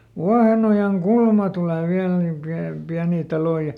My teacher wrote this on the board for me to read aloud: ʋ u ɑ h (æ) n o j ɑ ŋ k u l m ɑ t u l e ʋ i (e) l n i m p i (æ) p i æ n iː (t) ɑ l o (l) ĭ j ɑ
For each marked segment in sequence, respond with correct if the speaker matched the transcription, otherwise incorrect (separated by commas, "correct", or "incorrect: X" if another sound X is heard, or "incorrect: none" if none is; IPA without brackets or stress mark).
incorrect: e, incorrect: æ, correct, correct, incorrect: none